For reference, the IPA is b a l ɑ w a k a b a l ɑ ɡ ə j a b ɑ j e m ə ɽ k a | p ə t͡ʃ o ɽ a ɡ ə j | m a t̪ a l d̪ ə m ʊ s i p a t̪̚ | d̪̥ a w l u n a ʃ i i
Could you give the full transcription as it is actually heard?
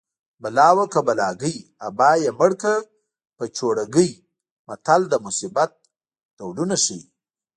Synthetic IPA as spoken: b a l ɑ w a k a b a l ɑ ɡ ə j a b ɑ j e m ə ɽ k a | p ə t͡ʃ o ɽ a ɡ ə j | m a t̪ a l d̪ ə m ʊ s i b a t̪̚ | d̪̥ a w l u n a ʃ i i